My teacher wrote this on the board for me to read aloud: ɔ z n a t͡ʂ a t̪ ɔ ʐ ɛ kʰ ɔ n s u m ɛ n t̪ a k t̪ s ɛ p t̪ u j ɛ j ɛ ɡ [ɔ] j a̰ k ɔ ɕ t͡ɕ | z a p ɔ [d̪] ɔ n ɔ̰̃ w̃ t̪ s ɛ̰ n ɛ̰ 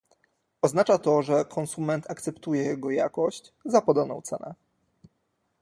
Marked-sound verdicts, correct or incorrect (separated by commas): correct, correct